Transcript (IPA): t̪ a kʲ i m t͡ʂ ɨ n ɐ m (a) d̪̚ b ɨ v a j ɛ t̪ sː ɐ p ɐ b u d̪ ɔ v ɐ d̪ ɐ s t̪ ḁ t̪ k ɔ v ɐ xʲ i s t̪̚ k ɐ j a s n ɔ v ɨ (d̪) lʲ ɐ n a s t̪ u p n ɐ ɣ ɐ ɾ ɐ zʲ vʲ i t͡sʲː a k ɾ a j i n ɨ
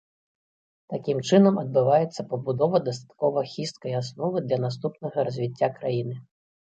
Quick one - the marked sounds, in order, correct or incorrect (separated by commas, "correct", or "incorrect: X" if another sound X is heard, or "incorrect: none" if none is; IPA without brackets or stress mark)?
incorrect: ɐ, correct